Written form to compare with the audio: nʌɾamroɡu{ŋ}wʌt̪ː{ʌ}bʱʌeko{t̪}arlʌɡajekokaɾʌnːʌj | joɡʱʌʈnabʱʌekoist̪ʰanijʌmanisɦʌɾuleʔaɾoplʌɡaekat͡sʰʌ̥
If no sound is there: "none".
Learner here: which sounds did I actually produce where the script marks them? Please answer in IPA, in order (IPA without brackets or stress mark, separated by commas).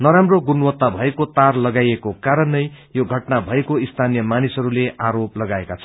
n, a, t̪